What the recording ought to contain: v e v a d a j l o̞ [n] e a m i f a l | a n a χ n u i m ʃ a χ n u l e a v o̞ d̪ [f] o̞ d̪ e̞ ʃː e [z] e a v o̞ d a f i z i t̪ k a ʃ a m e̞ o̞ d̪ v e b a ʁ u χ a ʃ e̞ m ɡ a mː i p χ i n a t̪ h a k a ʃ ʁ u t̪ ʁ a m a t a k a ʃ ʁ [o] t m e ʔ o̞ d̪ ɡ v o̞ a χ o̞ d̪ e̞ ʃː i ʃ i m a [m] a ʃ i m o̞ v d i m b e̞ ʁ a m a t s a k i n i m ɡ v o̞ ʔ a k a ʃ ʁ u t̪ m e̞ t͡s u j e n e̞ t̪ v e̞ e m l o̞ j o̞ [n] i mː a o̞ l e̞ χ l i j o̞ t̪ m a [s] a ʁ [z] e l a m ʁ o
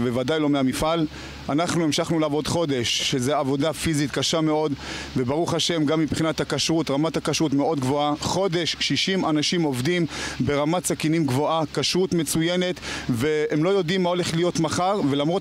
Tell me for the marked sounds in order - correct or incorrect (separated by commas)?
incorrect, incorrect, correct, incorrect, incorrect, incorrect, incorrect, incorrect